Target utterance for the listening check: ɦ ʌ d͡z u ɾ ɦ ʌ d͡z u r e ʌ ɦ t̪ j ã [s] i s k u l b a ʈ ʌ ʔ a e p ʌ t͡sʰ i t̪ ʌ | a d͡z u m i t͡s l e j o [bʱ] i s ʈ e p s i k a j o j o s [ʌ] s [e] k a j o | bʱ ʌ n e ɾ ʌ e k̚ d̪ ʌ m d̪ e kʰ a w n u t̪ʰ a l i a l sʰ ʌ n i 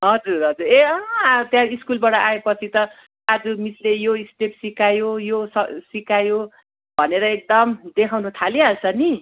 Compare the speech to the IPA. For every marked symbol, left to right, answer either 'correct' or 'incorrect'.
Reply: incorrect: none, incorrect: none, correct, incorrect: i

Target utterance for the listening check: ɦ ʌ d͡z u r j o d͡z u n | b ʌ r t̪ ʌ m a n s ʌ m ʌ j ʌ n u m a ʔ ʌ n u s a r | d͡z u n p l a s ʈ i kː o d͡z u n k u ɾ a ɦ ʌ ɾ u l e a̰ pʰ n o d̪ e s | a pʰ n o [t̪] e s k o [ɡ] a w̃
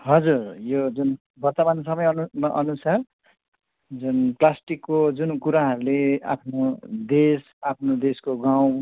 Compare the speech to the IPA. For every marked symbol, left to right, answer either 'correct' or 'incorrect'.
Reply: incorrect: d̪, correct

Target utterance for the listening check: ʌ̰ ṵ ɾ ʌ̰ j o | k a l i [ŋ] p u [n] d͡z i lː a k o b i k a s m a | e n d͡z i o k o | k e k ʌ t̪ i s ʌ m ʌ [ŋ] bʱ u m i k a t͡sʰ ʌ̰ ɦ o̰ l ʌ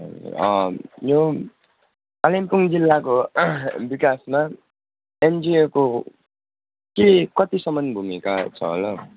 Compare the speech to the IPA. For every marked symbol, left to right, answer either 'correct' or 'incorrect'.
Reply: incorrect: m, incorrect: ŋ, incorrect: n

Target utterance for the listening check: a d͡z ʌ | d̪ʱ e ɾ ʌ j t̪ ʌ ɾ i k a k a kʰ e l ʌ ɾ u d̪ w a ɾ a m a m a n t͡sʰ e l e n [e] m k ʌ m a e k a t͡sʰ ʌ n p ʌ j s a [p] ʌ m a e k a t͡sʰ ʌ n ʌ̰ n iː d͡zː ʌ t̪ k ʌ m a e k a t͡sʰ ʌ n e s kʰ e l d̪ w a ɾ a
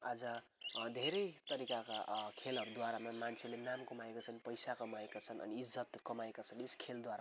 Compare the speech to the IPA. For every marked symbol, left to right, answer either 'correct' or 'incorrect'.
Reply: incorrect: a, incorrect: k

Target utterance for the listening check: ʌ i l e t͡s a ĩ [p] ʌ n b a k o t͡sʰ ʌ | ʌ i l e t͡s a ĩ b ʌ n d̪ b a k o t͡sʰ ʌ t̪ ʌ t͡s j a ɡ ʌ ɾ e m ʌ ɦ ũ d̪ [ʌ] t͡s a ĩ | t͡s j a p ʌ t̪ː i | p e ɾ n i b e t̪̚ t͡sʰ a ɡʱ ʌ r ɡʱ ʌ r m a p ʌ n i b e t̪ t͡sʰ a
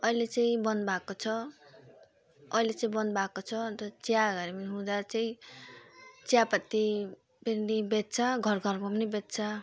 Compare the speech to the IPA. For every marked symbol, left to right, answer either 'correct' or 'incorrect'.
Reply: incorrect: b, incorrect: a

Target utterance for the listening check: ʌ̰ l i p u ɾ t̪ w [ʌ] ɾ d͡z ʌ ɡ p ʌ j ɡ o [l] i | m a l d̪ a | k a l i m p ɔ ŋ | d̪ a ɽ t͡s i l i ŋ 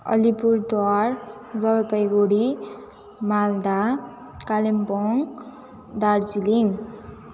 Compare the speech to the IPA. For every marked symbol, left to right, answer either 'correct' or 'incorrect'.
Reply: incorrect: a, incorrect: ɽ

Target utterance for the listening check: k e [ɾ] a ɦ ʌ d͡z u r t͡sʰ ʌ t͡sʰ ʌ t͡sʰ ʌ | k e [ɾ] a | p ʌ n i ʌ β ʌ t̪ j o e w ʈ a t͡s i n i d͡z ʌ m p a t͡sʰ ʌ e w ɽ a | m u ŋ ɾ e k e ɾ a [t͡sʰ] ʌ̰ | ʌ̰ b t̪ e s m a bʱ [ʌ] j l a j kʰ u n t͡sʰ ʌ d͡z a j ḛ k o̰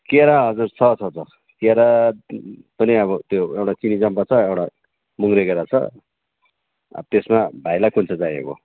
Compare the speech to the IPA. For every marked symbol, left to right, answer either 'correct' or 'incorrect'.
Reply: correct, correct, correct, incorrect: a

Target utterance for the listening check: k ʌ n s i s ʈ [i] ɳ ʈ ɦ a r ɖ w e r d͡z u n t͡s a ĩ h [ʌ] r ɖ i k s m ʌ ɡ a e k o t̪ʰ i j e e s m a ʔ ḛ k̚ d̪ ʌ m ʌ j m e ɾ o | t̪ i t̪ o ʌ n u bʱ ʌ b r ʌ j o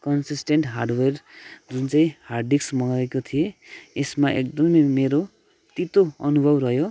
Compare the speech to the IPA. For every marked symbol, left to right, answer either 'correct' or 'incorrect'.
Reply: incorrect: e, incorrect: a

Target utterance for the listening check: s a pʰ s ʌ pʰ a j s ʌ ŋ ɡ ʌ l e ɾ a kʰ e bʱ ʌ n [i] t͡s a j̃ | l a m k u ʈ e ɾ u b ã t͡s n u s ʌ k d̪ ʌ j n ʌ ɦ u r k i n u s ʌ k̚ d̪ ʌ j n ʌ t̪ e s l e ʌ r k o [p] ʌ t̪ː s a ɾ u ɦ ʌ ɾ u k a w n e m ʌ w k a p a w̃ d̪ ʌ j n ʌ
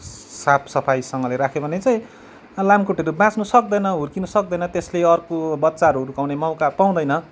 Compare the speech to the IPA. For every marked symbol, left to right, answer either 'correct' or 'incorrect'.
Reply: incorrect: e, incorrect: b

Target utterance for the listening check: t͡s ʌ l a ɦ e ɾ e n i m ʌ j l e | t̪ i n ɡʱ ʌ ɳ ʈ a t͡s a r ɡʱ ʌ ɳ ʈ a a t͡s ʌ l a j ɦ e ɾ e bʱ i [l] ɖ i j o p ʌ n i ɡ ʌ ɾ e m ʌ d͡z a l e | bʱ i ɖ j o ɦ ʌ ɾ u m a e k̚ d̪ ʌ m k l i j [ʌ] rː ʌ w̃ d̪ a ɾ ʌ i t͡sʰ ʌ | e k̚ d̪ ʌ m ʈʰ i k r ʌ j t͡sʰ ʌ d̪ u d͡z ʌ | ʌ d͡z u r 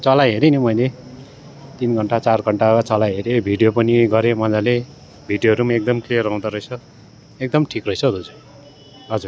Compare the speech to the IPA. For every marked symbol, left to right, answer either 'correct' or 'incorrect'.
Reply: incorrect: none, correct

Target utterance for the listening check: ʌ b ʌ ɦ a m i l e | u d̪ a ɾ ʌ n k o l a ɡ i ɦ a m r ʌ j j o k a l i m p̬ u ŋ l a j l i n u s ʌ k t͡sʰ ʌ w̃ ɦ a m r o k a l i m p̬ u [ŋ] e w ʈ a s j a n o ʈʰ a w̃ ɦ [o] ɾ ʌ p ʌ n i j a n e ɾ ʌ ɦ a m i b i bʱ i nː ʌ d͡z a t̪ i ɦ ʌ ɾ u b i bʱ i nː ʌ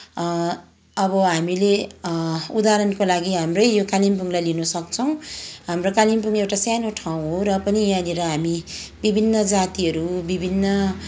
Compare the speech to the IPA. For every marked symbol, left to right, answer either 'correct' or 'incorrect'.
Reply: correct, correct

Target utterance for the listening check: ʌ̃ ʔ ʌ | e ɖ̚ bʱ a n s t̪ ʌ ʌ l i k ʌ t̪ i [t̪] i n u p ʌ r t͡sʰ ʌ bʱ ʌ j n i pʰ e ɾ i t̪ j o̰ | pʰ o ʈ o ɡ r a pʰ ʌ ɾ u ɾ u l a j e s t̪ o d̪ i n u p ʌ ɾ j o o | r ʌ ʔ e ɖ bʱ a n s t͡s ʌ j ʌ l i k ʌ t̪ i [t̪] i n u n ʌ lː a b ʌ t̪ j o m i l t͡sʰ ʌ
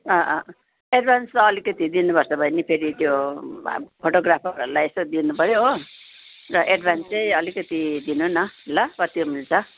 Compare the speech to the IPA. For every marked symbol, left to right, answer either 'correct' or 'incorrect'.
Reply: incorrect: d̪, incorrect: d̪

